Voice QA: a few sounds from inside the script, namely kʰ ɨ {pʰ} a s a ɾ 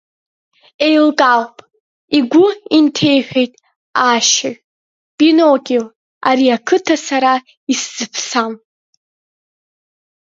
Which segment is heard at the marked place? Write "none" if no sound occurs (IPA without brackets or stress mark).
tʰ